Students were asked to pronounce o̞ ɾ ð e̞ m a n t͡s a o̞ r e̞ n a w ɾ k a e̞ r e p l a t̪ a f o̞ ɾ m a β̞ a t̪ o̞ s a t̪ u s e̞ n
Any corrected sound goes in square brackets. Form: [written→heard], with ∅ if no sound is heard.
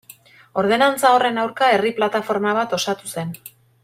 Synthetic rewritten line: o̞ ɾ ð e̞ [m→n] a n t͡s a o̞ r e̞ n a w ɾ k a e̞ r [e→i] p l a t̪ a f o̞ ɾ m a β̞ a t̪ o̞ s a t̪ u s e̞ n